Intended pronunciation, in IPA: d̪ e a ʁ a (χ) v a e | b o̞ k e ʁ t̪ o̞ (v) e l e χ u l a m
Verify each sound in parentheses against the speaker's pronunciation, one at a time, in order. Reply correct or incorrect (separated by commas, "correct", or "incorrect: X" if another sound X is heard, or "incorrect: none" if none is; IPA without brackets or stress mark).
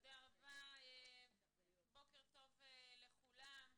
incorrect: none, correct